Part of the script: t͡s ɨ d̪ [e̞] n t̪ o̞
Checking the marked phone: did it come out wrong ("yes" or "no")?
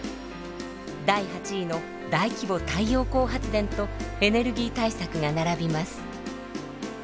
yes